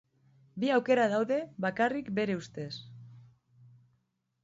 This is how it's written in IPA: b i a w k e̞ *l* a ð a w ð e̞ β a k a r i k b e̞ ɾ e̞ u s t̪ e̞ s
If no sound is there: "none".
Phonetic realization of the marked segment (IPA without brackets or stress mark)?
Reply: ɾ